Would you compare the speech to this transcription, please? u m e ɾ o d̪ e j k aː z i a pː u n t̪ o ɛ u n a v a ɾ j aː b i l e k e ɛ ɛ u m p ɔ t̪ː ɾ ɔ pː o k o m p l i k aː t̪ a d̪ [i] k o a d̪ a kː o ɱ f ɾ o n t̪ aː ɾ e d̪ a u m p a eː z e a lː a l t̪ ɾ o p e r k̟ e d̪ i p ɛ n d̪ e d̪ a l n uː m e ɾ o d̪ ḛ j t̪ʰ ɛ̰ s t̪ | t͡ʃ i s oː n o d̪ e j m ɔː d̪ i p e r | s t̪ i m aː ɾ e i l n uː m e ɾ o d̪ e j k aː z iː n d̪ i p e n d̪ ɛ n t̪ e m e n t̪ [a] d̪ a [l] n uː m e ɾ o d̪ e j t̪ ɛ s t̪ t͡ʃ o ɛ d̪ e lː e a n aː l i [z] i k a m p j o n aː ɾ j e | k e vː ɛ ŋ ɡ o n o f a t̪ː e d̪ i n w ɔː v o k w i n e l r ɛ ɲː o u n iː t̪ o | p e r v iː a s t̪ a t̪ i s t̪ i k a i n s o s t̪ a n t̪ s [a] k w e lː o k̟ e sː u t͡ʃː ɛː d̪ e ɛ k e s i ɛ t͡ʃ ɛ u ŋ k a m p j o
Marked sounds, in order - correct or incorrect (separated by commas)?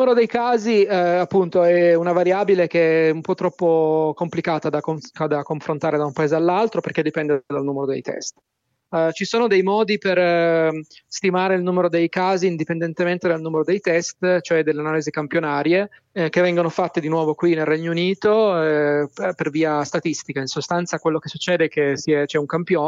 incorrect, incorrect, correct, correct, correct